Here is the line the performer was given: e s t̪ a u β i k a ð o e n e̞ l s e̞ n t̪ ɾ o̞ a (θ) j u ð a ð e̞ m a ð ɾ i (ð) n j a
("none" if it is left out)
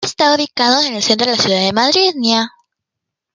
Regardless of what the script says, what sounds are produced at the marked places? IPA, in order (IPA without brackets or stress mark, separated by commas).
s, ð